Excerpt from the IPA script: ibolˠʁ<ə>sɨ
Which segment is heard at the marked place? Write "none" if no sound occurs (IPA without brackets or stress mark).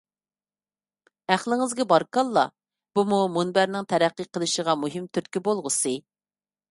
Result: ə